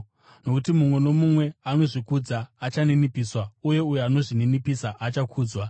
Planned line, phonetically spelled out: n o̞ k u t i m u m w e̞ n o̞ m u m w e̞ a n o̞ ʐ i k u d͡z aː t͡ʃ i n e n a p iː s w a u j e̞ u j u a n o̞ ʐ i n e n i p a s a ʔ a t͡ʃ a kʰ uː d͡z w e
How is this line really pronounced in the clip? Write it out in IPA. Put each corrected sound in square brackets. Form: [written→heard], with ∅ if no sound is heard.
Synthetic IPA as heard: n o̞ k u t i m u m w e̞ n o̞ m u m w e̞ a n o̞ ʐ i k u d͡z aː t͡ʃ [i→a] n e n [a→i] p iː s w a u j e̞ u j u a n o̞ ʐ i n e n i p [a→i] s a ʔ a t͡ʃ a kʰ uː d͡z w [e→a]